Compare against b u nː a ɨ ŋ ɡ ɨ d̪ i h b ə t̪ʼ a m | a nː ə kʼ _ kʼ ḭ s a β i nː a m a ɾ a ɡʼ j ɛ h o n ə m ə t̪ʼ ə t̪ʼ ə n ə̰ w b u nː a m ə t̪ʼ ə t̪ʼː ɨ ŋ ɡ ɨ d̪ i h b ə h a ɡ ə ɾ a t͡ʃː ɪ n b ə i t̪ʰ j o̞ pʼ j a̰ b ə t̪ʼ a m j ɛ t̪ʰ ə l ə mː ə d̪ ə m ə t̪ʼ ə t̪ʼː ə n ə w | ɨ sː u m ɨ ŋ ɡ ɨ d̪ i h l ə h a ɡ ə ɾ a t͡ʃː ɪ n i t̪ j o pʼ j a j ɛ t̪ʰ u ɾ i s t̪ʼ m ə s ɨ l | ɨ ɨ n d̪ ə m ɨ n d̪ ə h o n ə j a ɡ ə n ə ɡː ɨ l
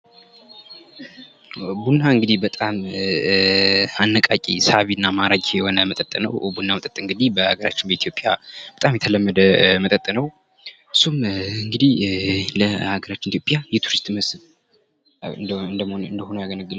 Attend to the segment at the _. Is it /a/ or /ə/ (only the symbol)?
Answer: a